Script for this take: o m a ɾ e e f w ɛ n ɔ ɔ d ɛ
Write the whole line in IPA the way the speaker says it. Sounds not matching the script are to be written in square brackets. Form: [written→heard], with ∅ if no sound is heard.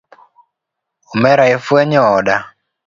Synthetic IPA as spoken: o m [a→ɛ] ɾ [e→a] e f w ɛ [n→ɲ] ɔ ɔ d [ɛ→a]